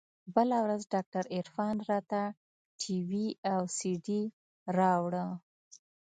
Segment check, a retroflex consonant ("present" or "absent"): present